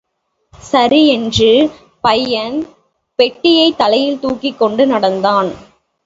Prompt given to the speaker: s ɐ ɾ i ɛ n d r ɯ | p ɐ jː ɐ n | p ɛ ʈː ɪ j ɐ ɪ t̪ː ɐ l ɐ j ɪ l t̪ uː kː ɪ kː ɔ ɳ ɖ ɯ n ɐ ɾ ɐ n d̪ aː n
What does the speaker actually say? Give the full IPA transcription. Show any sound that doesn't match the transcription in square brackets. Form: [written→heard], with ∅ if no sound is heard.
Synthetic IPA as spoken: s ɐ ɾ i ɛ n d r ɯ | p ɐ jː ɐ n | p ɛ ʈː ɪ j ɐ ɪ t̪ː ɐ l ɐ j ɪ l t̪ uː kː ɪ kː ɔ ɳ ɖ ɯ n ɐ [ɾ→ɽ] ɐ n d̪ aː n